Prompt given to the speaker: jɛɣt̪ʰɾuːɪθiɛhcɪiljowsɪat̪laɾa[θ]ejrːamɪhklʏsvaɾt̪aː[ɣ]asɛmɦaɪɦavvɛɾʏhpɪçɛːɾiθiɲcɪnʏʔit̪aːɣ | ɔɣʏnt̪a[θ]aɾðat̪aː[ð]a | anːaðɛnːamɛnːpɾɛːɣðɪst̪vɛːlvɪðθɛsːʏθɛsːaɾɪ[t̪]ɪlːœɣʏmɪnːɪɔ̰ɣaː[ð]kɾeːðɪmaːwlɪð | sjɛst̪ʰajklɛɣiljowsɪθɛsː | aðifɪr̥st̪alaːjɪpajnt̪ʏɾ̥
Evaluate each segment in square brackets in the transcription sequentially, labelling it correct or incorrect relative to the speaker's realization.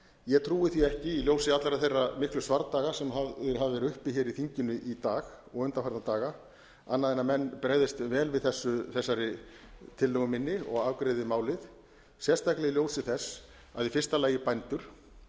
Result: correct, correct, incorrect, incorrect, incorrect, incorrect

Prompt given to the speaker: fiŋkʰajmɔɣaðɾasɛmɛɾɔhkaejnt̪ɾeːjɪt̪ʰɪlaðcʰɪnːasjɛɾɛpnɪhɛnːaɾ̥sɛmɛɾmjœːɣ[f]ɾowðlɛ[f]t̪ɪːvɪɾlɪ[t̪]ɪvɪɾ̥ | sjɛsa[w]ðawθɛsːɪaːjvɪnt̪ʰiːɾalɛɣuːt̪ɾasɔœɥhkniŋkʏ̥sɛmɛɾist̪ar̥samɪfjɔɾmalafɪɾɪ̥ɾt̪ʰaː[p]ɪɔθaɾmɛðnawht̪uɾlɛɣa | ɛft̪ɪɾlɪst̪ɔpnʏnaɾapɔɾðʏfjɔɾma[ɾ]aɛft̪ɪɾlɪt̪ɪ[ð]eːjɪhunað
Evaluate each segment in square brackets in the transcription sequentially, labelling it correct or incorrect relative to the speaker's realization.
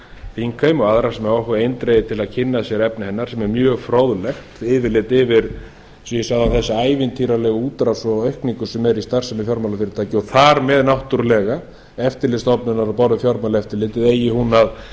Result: correct, incorrect, correct, incorrect, incorrect, incorrect, correct

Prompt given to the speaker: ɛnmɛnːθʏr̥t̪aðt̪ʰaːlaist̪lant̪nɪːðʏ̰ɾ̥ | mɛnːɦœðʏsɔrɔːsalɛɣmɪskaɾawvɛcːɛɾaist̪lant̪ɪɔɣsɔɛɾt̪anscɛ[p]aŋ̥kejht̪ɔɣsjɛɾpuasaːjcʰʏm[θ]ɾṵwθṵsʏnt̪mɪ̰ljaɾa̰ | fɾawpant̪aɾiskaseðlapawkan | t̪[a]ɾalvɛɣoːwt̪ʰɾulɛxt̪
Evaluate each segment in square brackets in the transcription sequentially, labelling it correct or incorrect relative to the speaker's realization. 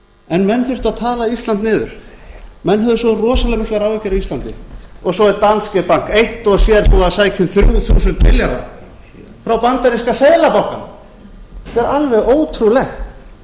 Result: correct, correct, incorrect

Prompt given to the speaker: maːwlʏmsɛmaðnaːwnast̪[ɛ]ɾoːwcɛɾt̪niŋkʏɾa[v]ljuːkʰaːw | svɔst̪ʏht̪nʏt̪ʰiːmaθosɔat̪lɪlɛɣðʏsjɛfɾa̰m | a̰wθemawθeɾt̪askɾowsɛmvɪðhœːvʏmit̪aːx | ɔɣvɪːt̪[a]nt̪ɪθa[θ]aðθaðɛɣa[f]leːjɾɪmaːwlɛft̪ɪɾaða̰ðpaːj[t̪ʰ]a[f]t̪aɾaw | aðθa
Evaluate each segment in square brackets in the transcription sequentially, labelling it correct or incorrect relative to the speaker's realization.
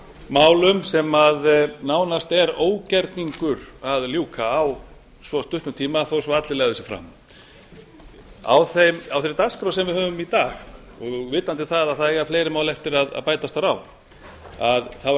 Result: correct, incorrect, correct, incorrect, correct, incorrect, incorrect

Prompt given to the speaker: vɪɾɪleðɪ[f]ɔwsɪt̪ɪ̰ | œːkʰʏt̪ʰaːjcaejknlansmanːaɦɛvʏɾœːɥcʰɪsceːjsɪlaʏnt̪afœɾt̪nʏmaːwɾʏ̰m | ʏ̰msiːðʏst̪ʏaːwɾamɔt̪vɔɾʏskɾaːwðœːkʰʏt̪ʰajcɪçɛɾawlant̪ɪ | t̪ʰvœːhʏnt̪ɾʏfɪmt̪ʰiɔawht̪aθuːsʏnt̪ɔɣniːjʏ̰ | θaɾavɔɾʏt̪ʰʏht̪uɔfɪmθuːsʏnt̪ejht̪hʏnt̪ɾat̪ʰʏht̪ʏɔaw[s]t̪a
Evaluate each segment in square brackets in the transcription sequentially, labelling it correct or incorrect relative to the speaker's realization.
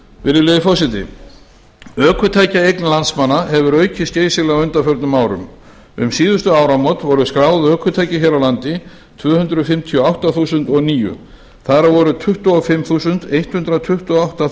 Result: correct, incorrect

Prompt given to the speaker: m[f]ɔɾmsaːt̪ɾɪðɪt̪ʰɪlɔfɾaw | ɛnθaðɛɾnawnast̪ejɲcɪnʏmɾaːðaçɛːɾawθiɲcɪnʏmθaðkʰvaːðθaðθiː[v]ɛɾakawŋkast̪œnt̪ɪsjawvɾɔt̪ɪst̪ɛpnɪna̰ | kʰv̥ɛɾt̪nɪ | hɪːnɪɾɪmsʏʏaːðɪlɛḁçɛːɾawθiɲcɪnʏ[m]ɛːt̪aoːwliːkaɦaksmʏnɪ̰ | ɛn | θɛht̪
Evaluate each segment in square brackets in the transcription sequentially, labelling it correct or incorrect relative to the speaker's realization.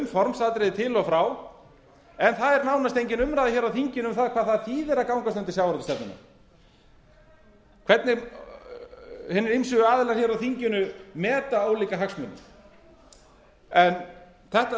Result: correct, incorrect, correct

